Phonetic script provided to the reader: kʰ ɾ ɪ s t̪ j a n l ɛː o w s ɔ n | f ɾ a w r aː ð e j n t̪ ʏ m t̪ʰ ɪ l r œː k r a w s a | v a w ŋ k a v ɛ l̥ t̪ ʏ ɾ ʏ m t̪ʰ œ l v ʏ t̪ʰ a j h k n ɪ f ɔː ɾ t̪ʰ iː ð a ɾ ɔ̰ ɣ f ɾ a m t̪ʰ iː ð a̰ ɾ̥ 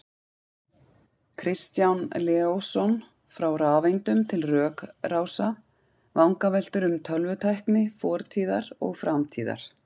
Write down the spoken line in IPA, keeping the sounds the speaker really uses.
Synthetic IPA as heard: kʰ ɾ ɪ s t̪ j a n l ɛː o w s ɔ n | f ɾ a w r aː v e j n t̪ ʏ m t̪ʰ ɪ l r œː k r a w s a | v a w ŋ k a v ɛ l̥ t̪ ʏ ɾ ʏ m t̪ʰ œ l v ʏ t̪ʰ a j h k n ɪ f ɔː ɾ t̪ʰ iː ð a ɾ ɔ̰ ɣ f ɾ a m t̪ʰ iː ð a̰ ɾ̥